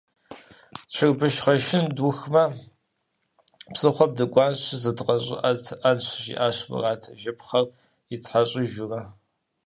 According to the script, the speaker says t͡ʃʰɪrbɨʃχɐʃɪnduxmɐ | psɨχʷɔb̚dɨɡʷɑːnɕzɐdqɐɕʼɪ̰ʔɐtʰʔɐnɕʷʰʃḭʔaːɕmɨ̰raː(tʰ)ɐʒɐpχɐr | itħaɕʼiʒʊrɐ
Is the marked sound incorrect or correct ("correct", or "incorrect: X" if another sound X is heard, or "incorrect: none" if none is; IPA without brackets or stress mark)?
correct